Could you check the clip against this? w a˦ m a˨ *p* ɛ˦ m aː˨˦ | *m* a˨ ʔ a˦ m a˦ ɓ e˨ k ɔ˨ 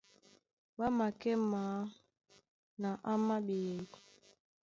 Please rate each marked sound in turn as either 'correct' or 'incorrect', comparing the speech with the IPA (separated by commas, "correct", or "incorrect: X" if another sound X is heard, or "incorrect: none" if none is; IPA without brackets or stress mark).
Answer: incorrect: k, incorrect: n